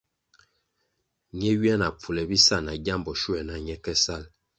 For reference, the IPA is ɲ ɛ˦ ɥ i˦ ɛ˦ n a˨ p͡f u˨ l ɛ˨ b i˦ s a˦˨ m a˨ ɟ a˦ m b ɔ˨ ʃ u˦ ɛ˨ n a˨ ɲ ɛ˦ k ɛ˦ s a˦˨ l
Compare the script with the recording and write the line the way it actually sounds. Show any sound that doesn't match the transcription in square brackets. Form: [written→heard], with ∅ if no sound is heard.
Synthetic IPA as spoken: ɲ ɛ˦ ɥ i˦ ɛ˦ n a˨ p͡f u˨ l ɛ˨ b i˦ s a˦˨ [m→n] a˨ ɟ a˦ m b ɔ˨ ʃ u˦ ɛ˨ n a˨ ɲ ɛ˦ k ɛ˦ s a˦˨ l

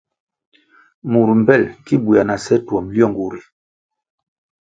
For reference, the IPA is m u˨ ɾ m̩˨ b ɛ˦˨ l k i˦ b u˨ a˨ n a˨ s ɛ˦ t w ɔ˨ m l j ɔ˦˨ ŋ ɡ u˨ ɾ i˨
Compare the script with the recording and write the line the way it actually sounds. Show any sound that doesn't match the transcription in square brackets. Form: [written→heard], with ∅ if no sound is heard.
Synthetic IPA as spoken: m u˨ ɾ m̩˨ b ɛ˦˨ l k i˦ b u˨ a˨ n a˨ s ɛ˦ t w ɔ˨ m l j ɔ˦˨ ŋ ɡ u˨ ɾ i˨

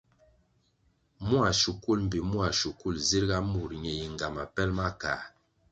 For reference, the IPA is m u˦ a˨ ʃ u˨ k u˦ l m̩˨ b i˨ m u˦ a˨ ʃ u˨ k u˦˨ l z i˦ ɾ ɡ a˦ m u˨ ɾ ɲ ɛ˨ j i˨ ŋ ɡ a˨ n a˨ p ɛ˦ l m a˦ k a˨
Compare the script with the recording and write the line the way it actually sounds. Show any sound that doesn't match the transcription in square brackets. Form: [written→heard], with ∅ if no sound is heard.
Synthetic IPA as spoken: m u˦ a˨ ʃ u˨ k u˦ l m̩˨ b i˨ m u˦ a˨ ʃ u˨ k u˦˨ l z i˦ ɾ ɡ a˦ m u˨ ɾ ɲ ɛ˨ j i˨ ŋ ɡ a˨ [n→m] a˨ p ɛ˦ l m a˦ k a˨

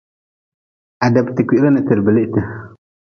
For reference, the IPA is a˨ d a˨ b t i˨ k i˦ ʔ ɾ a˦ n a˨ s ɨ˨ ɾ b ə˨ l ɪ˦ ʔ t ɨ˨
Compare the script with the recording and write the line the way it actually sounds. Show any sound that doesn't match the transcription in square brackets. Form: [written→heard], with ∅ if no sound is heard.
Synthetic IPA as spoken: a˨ d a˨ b t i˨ k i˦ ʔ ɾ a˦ n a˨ [s→t] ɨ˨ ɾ b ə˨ l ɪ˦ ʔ t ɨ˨

